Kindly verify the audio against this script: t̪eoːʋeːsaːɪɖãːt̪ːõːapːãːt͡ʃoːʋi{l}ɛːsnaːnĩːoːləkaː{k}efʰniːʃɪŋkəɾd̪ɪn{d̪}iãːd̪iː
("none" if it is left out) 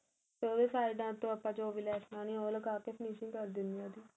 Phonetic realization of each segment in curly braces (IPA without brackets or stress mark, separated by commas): l, k, d̪